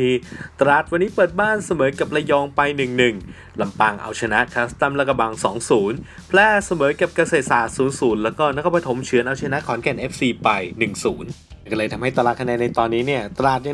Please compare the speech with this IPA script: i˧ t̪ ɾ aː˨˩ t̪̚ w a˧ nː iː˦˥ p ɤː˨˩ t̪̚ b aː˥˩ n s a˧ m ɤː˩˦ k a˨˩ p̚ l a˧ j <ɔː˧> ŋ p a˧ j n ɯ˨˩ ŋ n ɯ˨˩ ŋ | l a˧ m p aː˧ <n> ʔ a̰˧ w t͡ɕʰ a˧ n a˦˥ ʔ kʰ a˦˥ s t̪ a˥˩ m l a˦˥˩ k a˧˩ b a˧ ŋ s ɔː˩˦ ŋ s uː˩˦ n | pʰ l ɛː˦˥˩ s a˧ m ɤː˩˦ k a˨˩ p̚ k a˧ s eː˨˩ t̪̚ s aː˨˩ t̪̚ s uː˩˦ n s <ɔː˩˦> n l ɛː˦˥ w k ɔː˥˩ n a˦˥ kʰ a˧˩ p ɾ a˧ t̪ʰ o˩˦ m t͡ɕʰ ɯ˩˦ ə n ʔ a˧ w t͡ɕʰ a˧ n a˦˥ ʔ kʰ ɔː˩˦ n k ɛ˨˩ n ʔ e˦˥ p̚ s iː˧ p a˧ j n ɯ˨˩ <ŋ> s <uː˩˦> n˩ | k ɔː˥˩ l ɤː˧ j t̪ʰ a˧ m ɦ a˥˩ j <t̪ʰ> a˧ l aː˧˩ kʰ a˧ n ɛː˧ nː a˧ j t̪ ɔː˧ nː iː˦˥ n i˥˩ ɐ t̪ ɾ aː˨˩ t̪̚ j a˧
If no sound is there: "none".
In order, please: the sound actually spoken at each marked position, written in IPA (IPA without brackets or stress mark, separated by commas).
ɔː˧, ŋ, uː˩˦, ŋ, uː˩˦, t̪